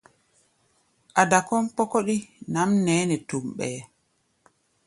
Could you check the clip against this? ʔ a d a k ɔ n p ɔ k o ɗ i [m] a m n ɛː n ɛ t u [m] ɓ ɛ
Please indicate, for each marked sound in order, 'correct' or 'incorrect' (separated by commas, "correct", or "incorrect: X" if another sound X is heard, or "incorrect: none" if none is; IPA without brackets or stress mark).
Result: incorrect: n, correct